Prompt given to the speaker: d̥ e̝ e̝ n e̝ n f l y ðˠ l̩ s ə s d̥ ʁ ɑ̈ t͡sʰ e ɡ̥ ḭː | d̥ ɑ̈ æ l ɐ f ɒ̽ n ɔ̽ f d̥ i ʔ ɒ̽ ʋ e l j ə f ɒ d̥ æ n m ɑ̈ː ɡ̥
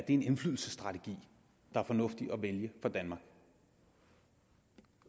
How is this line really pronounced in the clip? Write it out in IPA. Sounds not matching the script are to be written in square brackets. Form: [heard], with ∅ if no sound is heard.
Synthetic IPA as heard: d̥ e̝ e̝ n e̝ n f l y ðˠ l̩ s ə s d̥ ʁ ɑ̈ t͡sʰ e ɡ̥ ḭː | d̥ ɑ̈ æ [∅] ɐ f ɒ̽ n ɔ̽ f d̥ i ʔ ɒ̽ ʋ e l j ə f ɒ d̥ æ n m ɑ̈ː ɡ̥